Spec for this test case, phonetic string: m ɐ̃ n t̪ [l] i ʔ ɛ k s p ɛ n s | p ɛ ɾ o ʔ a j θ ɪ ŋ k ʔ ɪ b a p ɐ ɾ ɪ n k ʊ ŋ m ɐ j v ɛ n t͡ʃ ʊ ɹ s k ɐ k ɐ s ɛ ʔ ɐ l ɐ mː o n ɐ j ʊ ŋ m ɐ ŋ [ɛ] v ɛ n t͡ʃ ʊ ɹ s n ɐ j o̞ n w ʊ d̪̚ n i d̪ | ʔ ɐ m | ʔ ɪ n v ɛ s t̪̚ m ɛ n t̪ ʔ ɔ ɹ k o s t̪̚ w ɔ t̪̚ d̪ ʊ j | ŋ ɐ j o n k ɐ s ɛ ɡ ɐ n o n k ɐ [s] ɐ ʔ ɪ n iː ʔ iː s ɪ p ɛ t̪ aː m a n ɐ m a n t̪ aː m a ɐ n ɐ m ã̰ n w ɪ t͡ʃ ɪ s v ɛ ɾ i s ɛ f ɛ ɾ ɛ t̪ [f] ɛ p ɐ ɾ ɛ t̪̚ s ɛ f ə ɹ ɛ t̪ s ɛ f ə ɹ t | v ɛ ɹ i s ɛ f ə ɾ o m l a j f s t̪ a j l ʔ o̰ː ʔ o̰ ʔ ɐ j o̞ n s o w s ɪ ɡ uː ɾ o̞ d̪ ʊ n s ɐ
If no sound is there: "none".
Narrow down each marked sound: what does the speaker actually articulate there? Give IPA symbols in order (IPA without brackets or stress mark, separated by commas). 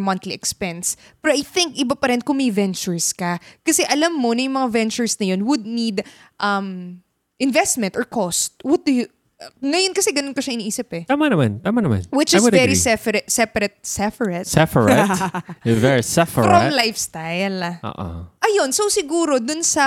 l, a, ʃ, s